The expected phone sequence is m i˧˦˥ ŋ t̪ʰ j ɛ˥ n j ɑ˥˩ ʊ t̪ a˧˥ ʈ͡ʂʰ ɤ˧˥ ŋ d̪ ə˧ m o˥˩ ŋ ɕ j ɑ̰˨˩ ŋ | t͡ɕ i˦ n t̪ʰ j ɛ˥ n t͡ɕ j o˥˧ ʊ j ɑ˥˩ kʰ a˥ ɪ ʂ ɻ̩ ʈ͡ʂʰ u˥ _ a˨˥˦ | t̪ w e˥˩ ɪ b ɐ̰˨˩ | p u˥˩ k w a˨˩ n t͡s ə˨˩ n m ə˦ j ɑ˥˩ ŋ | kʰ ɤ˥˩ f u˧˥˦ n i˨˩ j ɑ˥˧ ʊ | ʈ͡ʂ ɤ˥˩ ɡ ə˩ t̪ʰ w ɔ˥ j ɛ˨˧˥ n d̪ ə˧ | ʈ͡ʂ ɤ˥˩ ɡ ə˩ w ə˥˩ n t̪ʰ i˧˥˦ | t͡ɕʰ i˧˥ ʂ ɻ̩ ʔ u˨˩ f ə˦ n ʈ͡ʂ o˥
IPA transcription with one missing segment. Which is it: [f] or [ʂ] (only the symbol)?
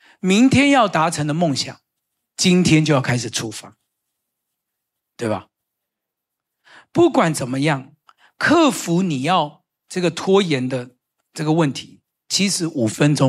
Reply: f